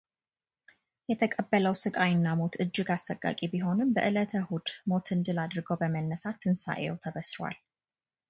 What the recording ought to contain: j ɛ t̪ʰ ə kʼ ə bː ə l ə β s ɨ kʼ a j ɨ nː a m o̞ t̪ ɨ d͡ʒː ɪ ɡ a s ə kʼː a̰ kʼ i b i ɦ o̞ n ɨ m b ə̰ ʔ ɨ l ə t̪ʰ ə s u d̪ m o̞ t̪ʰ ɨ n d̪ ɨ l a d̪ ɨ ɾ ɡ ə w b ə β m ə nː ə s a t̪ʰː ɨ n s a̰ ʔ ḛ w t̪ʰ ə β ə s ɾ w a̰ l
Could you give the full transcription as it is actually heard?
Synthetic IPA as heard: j ɛ t̪ʰ ə kʼ ə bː ə l ə w s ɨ kʼ a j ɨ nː a m o̞ t̪ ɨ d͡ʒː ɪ ɡ a s ə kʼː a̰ kʼ i b i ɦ o̞ n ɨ m b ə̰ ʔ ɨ l ə t̪ʰ ə h u d̪ m o̞ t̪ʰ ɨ n d̪ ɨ l a d̪ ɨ ɾ ɡ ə w b ə m ə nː ə s a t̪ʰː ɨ n s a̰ ʔ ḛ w t̪ʰ ə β ə s ɾ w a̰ l